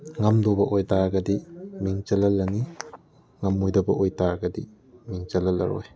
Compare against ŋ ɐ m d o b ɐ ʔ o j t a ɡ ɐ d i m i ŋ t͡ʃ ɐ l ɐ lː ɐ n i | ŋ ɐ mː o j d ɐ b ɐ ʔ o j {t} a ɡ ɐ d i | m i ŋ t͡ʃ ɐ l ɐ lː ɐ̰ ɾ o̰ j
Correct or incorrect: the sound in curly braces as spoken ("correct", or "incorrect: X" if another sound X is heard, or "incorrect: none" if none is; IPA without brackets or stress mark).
correct